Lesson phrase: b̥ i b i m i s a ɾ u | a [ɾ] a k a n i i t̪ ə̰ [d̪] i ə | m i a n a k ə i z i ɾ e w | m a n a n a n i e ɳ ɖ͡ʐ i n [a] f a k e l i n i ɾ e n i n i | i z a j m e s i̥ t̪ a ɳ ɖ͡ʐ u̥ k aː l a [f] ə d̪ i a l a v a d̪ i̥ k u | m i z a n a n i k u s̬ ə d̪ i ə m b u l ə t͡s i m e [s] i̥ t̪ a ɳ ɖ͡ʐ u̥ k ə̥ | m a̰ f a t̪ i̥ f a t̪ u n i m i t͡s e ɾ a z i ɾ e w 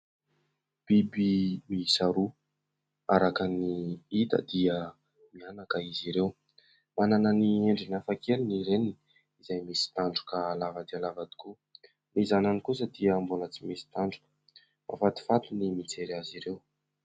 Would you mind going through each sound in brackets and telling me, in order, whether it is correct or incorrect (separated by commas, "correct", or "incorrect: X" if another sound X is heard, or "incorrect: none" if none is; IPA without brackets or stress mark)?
correct, correct, correct, incorrect: v, correct